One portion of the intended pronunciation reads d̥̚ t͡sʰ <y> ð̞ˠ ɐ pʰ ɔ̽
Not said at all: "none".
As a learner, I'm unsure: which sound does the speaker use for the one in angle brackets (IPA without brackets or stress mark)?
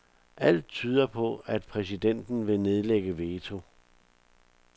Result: yː